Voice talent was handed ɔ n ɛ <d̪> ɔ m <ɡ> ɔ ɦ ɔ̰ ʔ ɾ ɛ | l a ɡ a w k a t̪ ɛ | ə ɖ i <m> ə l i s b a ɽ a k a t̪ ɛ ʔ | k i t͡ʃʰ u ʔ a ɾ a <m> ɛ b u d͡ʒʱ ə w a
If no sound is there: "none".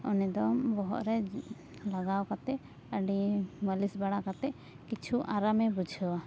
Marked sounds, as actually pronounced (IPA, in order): d̪, b, m, m

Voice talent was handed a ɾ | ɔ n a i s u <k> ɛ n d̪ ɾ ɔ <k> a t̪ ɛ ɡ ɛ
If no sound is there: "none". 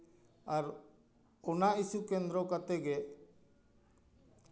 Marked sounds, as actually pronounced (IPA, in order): k, k

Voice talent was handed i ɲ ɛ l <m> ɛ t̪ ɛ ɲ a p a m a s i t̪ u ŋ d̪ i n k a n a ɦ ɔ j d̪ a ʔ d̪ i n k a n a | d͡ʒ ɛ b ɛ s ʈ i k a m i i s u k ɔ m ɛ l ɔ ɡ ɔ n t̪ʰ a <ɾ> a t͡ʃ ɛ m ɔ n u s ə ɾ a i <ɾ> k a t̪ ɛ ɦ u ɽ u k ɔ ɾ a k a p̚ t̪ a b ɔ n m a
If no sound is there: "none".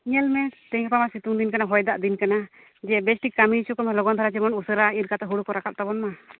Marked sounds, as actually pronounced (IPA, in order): m, ɾ, ɾ

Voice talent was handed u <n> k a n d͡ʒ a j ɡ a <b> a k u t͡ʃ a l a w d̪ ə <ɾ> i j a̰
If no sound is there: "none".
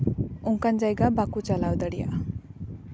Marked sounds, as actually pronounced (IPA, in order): ŋ, b, ɽ

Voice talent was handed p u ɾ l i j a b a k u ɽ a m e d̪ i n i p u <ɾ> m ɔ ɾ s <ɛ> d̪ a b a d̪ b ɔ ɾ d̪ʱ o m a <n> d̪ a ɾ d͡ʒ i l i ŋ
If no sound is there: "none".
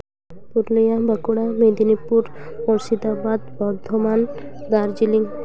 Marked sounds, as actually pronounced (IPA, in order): ɾ, i, n

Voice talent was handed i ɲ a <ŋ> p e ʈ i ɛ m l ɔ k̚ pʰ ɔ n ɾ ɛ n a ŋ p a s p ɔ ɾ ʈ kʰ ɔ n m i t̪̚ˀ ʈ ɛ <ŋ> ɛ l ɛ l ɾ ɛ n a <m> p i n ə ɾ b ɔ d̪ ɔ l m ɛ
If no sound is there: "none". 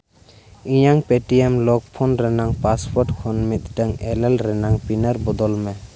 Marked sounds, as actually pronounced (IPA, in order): ŋ, ŋ, ŋ

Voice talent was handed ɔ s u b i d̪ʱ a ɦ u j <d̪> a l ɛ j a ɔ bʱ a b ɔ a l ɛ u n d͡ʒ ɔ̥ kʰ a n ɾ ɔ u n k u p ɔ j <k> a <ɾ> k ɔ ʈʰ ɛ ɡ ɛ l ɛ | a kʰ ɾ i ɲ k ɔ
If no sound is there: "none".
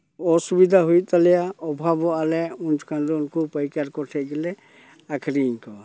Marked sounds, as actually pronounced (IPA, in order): t̪, k, ɾ

